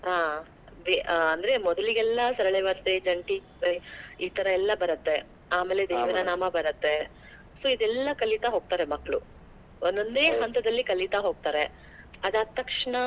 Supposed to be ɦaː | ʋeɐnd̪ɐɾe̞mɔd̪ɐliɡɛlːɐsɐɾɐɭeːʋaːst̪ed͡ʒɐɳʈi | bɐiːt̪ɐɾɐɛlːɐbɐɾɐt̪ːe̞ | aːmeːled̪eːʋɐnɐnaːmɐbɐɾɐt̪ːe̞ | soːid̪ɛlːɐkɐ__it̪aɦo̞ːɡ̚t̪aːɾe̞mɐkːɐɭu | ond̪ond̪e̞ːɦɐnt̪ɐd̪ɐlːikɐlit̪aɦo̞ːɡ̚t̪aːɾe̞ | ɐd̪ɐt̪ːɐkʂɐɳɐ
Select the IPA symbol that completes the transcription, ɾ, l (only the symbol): l